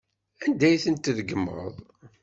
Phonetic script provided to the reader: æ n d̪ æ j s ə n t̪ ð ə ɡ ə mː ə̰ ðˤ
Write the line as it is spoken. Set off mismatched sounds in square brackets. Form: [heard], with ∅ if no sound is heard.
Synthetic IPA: æ n d̪ æ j [θ] ə n t̪ ð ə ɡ ə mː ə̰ ðˤ